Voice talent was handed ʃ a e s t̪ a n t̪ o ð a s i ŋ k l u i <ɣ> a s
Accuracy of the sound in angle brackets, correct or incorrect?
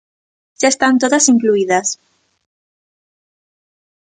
incorrect